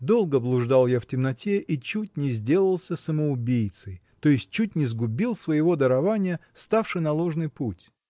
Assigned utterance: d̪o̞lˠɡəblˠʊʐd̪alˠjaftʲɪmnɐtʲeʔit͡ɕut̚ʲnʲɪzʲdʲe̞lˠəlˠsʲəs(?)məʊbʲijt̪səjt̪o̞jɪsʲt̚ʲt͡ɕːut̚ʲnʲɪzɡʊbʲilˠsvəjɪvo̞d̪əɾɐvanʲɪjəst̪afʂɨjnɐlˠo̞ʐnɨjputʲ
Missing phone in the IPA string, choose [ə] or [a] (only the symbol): ə